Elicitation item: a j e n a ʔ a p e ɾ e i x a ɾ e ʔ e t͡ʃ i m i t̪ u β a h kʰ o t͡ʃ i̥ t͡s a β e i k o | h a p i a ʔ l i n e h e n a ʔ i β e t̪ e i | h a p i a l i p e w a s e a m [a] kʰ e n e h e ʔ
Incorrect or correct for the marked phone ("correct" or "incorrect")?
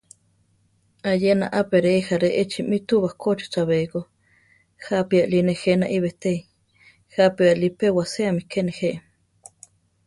incorrect